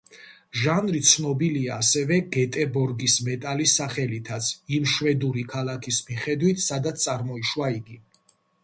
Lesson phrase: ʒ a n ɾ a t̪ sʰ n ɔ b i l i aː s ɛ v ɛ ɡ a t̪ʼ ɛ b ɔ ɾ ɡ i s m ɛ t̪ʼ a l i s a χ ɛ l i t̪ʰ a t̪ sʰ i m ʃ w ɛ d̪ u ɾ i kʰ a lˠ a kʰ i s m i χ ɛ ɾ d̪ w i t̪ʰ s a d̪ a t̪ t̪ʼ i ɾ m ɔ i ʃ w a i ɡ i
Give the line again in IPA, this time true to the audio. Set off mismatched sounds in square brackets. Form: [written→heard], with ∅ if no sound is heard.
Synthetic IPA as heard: ʒ a n ɾ [a→i] t̪ sʰ n ɔ b i l i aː s ɛ v ɛ ɡ [a→ɛ] t̪ʼ ɛ b ɔ ɾ ɡ i s m ɛ t̪ʼ a l i s a χ ɛ l i t̪ʰ a t̪ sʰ i m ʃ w ɛ d̪ u ɾ i kʰ a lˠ a kʰ i s m i χ ɛ [ɾ→∅] d̪ w i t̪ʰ s a d̪ a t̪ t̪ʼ [i→a] ɾ m ɔ i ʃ w a i ɡ i